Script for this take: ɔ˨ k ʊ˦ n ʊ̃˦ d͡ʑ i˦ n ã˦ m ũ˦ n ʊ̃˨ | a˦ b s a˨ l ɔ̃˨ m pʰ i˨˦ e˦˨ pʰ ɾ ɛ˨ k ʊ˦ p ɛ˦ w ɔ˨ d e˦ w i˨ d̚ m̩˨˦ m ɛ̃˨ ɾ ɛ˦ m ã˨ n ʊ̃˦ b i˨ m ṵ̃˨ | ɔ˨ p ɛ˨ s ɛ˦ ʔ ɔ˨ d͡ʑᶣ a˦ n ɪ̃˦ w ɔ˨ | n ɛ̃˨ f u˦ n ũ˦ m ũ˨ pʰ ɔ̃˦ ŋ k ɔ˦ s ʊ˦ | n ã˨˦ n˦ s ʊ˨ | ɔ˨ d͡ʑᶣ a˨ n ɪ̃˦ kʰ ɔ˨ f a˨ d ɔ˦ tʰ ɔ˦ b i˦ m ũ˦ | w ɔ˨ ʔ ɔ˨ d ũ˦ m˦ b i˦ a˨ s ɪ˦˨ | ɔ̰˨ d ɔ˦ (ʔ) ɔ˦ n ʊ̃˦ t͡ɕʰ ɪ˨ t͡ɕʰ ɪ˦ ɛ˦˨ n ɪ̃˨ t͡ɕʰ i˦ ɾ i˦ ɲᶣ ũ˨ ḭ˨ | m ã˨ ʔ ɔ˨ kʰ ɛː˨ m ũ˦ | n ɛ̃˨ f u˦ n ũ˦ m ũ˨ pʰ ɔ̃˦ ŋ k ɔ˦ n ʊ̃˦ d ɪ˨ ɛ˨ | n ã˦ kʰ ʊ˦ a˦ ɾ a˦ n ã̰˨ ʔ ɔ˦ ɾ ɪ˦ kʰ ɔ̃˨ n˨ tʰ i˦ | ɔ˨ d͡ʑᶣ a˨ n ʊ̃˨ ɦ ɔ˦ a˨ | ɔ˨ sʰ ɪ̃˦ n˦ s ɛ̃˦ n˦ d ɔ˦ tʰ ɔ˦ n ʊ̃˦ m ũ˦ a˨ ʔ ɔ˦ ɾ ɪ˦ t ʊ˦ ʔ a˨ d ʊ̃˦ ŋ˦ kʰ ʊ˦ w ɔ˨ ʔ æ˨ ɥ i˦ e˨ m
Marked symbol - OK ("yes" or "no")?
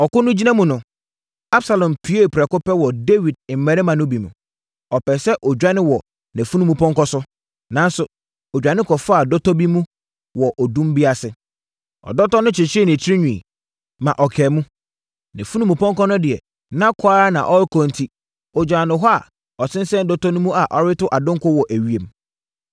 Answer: no